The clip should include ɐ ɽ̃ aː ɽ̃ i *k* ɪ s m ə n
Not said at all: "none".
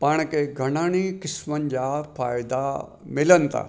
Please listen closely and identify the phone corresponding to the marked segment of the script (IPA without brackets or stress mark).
k